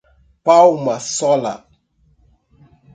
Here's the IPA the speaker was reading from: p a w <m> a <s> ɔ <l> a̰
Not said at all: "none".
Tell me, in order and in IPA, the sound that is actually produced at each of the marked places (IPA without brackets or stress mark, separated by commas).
m, s, l